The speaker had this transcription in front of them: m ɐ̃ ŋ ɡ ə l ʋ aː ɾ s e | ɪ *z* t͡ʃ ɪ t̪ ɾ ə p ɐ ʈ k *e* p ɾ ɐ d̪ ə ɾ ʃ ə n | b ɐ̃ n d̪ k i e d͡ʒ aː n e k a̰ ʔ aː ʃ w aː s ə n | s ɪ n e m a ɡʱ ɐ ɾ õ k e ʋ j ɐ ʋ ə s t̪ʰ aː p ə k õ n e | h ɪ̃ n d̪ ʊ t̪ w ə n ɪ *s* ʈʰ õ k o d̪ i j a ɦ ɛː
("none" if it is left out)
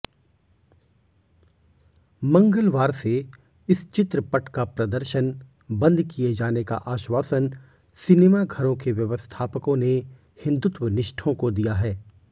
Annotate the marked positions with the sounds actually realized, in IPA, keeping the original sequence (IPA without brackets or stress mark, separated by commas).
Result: s, a, ʃ